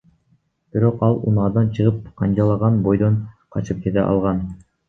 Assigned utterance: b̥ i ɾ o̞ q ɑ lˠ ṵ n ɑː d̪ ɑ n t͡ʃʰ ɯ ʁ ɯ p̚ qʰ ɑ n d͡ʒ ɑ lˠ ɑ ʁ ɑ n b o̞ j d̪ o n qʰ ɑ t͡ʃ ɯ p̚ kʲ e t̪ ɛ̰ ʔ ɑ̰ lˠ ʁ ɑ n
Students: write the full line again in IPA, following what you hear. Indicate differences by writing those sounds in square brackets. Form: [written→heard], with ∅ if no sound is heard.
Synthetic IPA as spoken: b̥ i ɾ o̞ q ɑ lˠ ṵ n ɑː d̪ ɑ n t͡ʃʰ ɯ ʁ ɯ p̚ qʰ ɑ n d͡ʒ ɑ lˠ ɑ ʁ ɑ n b o̞ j d̪ o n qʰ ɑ t͡ʃ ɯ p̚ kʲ e t̪ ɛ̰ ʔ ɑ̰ lˠ ʁ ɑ n